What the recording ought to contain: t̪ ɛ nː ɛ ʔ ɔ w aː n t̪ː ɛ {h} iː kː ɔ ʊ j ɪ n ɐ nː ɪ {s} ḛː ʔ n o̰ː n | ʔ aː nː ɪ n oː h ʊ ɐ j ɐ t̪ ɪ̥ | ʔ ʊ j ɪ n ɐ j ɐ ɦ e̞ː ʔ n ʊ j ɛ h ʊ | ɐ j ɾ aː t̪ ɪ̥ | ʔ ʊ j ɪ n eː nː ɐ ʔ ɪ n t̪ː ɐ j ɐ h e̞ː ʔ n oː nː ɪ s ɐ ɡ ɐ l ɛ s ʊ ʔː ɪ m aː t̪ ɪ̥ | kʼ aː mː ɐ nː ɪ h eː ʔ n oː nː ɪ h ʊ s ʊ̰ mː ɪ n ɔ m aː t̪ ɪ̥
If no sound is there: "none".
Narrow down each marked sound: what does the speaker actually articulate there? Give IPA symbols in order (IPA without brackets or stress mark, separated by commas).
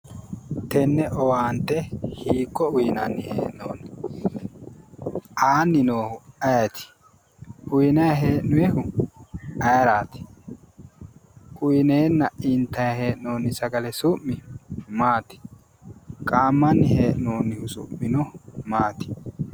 h, h